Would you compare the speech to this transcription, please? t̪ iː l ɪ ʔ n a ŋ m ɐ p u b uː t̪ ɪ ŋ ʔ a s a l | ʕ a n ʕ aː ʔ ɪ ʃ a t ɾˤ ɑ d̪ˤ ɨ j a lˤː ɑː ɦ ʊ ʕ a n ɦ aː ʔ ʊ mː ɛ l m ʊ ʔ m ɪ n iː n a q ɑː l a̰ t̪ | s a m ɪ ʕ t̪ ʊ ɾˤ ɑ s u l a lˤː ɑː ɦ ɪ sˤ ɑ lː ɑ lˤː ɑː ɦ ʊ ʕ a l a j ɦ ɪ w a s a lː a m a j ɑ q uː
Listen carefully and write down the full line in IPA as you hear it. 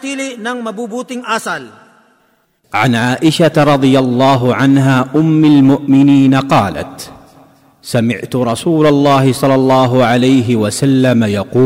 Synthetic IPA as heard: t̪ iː l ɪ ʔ n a ŋ m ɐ b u b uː t̪ ɪ ŋ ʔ a s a l | ʕ a n ʕ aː ʔ ɪ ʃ a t ɾˤ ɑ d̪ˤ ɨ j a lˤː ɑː ɦ ʊ ʕ a n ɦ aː ʔ ʊ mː a l m ʊ ʔ m ɪ n iː n a q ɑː l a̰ t̪ | s a m ɪ ʕ t̪ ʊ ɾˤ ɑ s uː l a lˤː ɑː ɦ ɪ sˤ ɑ lː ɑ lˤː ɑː ɦ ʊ ʕ a l a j ɦ ɪ w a s a lː a m a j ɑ q uː